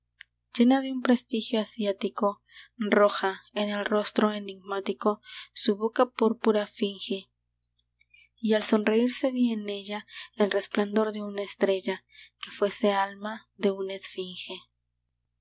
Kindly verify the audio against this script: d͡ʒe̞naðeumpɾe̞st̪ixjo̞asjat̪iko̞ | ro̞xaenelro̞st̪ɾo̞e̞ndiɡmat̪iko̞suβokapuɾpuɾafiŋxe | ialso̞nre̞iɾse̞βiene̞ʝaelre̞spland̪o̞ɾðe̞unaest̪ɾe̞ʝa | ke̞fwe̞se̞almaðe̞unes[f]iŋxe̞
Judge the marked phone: correct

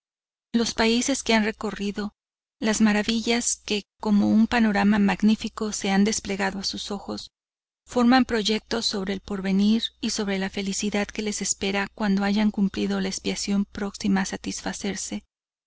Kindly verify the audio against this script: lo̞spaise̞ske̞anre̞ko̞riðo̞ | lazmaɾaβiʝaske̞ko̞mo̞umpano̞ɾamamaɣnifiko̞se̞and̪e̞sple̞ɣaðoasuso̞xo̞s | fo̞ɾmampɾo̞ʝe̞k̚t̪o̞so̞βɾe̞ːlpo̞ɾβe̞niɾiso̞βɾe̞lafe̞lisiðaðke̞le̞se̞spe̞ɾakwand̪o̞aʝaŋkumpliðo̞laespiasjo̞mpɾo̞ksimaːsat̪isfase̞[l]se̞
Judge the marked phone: incorrect: ɾ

